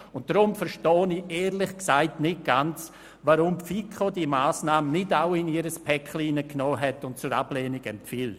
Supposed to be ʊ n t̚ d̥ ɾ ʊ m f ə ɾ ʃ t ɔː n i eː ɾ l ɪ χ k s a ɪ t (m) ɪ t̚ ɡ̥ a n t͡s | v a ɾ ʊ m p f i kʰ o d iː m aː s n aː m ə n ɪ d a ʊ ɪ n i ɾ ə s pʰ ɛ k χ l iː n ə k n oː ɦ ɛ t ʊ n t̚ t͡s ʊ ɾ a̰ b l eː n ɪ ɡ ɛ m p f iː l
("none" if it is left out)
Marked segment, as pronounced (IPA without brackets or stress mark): n